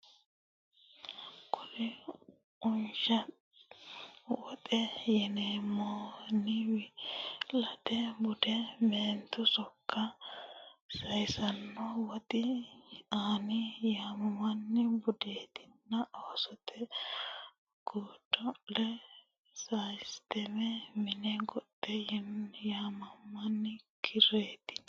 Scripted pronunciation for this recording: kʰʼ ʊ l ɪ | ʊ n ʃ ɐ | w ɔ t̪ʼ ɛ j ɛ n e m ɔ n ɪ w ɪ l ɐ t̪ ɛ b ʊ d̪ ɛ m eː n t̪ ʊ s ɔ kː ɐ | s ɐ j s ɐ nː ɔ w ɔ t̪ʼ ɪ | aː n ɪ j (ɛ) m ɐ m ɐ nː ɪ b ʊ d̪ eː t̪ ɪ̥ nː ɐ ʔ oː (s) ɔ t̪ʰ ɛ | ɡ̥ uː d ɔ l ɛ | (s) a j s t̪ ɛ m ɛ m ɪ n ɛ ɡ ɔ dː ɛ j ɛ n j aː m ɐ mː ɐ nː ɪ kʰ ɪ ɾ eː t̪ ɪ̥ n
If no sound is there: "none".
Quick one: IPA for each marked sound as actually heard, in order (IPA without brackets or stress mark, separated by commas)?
a, s, s